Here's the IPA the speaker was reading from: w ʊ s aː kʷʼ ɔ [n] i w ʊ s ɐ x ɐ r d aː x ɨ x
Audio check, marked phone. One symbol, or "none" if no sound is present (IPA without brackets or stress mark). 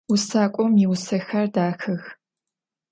m